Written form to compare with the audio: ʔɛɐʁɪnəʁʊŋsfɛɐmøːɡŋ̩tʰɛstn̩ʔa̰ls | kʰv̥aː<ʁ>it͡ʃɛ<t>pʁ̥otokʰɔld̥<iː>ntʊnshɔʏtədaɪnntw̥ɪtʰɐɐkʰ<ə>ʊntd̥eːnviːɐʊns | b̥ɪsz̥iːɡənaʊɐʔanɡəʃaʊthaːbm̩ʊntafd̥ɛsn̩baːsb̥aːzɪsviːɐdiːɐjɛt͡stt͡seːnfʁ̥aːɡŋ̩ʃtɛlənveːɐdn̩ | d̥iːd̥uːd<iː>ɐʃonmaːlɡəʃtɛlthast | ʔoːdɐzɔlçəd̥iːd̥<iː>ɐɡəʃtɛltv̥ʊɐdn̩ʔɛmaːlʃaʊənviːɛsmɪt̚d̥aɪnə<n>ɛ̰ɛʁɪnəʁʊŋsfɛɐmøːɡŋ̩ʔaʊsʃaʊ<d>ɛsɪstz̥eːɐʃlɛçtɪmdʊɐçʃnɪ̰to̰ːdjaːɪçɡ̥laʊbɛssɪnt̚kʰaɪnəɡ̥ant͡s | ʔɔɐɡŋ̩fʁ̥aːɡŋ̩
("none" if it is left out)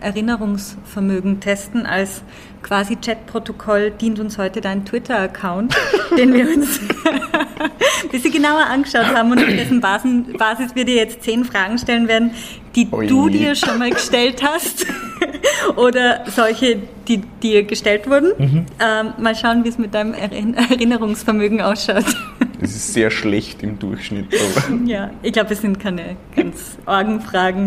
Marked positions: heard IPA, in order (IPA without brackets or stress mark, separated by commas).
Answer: z, t, iː, a, iː, iː, m, t